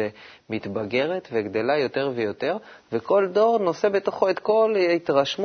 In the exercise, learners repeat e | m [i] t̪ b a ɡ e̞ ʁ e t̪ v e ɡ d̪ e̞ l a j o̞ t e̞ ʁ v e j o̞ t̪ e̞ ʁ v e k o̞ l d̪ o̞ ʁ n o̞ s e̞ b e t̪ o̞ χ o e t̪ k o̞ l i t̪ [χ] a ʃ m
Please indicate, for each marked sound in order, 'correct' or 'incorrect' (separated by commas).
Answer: correct, incorrect